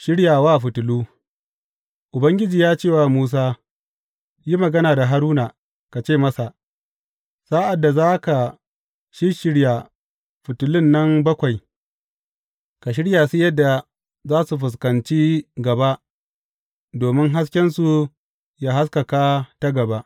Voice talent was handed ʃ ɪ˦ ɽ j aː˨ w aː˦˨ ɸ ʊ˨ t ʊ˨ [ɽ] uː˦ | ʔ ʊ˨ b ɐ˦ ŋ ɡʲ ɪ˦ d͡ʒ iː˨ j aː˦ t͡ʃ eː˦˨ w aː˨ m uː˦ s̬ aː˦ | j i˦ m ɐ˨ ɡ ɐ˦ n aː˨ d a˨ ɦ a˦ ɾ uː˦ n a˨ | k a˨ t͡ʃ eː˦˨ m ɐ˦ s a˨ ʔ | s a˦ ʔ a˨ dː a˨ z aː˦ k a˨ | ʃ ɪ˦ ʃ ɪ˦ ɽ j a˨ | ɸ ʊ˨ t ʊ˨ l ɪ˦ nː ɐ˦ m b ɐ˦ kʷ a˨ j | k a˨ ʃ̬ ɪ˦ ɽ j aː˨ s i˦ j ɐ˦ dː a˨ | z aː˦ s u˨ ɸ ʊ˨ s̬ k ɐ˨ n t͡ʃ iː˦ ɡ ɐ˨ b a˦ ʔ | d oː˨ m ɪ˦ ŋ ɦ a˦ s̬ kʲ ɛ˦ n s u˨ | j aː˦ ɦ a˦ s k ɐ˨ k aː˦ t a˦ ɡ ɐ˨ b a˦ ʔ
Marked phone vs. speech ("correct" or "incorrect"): incorrect